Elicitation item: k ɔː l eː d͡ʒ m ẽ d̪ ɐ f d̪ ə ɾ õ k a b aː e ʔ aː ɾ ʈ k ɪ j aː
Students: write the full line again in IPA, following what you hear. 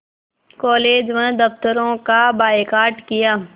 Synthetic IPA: k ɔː l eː d͡ʒ m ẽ d̪ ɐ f t̪ ə ɾ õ k a b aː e k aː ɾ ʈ k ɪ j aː